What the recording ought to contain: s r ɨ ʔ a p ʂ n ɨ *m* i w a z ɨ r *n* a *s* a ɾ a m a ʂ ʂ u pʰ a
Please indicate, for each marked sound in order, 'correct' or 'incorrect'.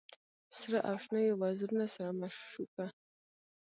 incorrect, correct, correct

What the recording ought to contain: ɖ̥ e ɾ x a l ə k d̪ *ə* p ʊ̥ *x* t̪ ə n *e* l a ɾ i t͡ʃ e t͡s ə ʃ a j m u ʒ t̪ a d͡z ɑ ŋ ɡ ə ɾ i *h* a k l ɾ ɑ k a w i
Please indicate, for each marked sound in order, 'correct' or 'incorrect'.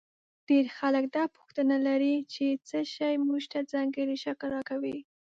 incorrect, correct, incorrect, incorrect

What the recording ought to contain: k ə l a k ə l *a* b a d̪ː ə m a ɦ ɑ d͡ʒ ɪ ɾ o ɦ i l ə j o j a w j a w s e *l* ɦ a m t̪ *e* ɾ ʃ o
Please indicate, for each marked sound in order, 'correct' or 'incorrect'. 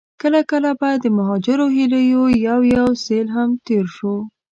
correct, correct, correct

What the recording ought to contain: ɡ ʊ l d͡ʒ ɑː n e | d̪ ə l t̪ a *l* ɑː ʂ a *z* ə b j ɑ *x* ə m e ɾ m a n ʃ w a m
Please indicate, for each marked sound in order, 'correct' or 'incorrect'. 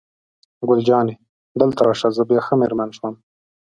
incorrect, correct, correct

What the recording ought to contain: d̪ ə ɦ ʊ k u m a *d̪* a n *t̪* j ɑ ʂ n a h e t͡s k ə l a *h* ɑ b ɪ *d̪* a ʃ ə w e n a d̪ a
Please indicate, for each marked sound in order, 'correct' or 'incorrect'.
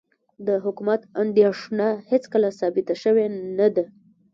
incorrect, incorrect, incorrect, incorrect

